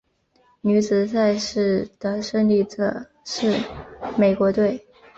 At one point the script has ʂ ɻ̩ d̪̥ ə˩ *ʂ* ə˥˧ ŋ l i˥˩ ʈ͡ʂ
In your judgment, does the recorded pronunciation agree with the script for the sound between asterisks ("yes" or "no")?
yes